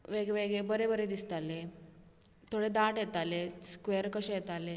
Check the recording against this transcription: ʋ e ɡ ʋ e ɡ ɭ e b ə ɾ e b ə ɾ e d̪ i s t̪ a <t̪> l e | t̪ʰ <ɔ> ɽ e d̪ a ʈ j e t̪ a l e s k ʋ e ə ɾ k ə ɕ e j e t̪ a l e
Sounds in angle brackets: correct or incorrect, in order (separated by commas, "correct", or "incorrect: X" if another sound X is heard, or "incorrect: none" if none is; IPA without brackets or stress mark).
incorrect: none, incorrect: o